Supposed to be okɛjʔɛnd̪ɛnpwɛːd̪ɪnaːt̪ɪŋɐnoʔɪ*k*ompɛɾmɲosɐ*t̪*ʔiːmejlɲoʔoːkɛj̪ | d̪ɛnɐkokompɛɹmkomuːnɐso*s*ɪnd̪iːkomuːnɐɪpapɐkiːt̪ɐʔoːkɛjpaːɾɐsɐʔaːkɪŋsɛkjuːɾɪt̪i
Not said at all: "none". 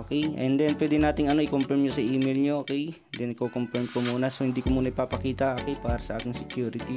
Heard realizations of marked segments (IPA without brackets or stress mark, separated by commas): k, none, h